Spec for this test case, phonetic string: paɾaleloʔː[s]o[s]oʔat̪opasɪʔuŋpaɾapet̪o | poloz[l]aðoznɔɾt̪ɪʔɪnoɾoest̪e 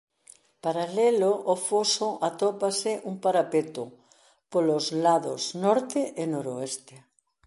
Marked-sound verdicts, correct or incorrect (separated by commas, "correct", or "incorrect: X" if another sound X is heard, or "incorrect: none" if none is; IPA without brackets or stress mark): incorrect: f, correct, correct